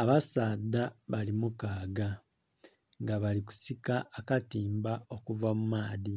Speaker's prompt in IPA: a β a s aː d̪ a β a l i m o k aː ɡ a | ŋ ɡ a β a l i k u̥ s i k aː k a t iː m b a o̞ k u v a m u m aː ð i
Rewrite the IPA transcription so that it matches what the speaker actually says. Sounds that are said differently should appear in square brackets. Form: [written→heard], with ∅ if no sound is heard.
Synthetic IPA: a β a s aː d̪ a β a l i m [o→u] k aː ɡ a | ŋ ɡ a β a l i k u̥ s i k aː k a t iː m b a o̞ k u v a m u m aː ð i

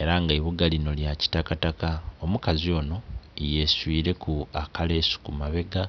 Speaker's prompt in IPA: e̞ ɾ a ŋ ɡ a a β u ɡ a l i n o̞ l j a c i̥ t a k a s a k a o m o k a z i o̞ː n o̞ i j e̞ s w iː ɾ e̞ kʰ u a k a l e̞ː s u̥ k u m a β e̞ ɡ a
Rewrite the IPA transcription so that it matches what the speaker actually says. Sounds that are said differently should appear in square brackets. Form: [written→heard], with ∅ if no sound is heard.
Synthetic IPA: e̞ ɾ a ŋ ɡ a [a→i] β u ɡ a l i n o̞ l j a c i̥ t a k a [s→t] a k a o m [o→u] k a z i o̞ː n o̞ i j e̞ s w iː ɾ e̞ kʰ u a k a l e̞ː s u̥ k u m a β e̞ ɡ a

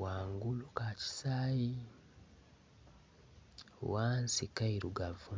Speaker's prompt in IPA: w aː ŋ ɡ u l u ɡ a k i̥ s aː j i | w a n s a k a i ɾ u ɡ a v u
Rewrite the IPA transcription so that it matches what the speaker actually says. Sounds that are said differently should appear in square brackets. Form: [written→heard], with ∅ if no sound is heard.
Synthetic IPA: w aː ŋ ɡ u l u [ɡ→k] a [k→c] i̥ s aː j i | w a n s [a→i] k a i ɾ u ɡ a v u

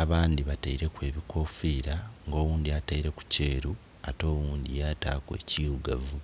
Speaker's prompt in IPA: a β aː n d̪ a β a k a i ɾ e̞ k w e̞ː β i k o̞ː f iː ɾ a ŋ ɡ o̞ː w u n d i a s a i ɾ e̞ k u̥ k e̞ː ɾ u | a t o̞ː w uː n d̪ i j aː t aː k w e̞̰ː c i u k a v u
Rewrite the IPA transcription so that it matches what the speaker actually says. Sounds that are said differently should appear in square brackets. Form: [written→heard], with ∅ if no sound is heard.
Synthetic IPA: a β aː n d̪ [a→i] β a [k→t] a i ɾ e̞ k w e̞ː β i k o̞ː f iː ɾ a ŋ ɡ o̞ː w [u→uː] n d i a [s→t] a i ɾ e̞ k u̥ [k→c] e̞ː ɾ u | a t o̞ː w uː n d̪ i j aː t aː k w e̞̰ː c i u [k→ɡ] a v u

